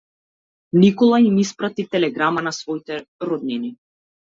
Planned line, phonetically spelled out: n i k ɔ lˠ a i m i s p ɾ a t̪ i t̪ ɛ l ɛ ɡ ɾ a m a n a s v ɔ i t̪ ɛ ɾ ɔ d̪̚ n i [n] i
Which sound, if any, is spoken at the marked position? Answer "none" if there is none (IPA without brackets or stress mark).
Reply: n